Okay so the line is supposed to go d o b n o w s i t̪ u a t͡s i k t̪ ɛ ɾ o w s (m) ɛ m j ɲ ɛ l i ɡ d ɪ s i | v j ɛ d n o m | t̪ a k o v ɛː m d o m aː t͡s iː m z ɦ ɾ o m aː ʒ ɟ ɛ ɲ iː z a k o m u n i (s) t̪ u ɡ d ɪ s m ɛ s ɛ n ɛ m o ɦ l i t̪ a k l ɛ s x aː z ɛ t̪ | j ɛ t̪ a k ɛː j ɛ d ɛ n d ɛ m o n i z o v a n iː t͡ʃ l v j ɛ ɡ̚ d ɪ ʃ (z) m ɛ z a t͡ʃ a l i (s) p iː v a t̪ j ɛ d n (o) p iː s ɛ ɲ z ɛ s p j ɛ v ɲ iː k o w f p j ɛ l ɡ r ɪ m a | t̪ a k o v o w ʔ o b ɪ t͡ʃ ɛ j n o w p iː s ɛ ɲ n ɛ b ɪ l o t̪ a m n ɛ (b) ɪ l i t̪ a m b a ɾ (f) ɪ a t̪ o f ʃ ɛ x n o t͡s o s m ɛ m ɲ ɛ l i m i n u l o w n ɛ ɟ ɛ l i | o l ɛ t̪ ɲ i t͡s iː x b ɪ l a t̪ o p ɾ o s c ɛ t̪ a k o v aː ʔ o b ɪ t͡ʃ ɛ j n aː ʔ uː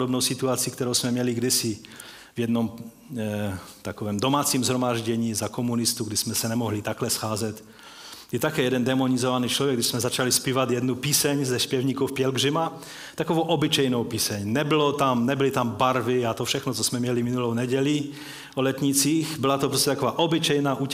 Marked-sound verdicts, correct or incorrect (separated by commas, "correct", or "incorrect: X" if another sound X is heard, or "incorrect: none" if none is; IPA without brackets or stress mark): correct, correct, incorrect: s, correct, incorrect: u, correct, incorrect: v